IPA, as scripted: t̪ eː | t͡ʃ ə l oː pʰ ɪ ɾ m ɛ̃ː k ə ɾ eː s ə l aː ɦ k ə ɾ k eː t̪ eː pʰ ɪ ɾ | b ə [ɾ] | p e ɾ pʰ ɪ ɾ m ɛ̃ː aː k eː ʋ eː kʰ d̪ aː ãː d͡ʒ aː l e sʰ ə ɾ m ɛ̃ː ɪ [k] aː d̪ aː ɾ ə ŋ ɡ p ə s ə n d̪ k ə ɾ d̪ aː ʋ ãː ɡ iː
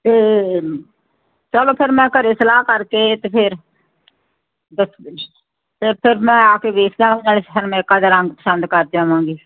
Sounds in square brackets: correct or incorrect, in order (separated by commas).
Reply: incorrect, correct